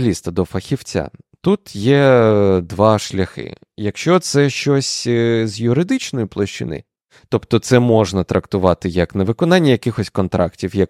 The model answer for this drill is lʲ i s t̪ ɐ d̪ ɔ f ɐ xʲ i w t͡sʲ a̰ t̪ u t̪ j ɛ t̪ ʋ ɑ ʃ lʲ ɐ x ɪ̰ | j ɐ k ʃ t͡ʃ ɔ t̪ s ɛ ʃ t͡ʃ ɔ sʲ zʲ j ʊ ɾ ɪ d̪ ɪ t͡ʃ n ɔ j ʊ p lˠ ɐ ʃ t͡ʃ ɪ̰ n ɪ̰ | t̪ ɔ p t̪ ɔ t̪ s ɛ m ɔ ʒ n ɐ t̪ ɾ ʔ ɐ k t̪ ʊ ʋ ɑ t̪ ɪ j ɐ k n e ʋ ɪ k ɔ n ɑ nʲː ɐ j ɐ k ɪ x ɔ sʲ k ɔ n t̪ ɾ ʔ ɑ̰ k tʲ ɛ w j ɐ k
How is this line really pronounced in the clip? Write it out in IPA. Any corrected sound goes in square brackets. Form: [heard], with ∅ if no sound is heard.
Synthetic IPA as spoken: lʲ i s t̪ ɐ d̪ ɔ f ɐ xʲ i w t͡sʲ a̰ t̪ u t̪ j ɛ [d̪] ʋ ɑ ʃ lʲ ɐ x ɪ̰ | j ɐ k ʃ t͡ʃ ɔ t̪ s ɛ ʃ t͡ʃ ɔ sʲ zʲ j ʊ ɾ ɪ d̪ ɪ t͡ʃ n ɔ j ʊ p lˠ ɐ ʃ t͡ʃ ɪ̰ n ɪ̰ | t̪ ɔ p t̪ ɔ t̪ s ɛ m ɔ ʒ n ɐ t̪ ɾ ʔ ɐ k t̪ ʊ ʋ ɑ t̪ ɪ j ɐ k n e ʋ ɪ k ɔ n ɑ nʲː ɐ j ɐ k ɪ x ɔ sʲ k ɔ n t̪ ɾ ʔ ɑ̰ k tʲ [i] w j ɐ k